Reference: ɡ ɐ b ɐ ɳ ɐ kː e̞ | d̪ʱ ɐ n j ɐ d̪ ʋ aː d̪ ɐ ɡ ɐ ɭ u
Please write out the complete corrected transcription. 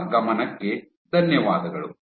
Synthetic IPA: ɡ ɐ m ɐ n ɐ kː e̞ | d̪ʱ ɐ n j ɐ ʋ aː d̪ ɐ ɡ ɐ ɭ u